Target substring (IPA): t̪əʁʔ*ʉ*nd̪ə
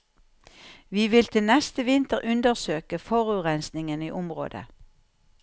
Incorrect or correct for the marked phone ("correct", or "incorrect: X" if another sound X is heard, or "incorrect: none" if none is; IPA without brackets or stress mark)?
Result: correct